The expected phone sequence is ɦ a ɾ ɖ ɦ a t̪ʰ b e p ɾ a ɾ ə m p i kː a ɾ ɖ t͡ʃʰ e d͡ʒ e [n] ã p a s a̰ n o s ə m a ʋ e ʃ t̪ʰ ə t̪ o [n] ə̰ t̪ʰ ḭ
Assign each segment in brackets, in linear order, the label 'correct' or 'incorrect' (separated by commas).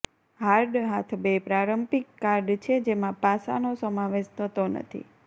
incorrect, correct